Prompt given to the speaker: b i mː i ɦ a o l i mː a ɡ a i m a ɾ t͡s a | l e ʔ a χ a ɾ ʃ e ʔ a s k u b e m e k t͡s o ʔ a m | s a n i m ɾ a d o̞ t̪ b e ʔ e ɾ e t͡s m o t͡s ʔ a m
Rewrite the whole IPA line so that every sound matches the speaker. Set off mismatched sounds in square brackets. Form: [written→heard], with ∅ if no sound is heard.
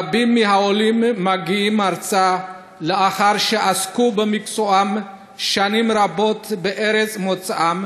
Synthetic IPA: b i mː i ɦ a o l i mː a ɡ [a→i] i m a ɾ t͡s a | l e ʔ a χ a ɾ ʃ e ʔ a s k u b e m [e→i] k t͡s o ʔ a m | [s→ʃ] a n i m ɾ a [d→b] o̞ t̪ b e ʔ e ɾ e t͡s m o t͡s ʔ a m